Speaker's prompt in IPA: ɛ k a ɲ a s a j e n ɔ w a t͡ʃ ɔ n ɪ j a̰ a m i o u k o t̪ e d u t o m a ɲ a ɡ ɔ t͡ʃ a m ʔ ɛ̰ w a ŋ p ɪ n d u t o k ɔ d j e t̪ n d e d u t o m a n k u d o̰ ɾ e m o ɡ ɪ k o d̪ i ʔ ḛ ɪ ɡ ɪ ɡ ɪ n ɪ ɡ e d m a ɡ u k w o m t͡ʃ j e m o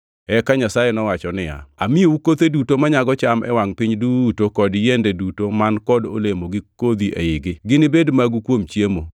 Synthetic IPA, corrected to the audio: ɛ k a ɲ a s a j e n ɔ w a t͡ʃ ɔ n ɪ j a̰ a m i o u k o t̪ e d u t o m a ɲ a ɡ ɔ t͡ʃ a m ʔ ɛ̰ w a ŋ p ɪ ɲ d u t o k ɔ d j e n d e d u t o m a n k ɔ d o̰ l e m o ɡ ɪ k o d̪ i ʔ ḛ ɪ ɡ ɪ ɡ ɪ n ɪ b e d m a ɡ u k w o m t͡ʃ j e m o